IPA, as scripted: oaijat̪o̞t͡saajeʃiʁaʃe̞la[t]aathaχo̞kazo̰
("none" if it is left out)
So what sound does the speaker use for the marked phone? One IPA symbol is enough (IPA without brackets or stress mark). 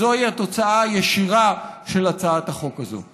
t͡s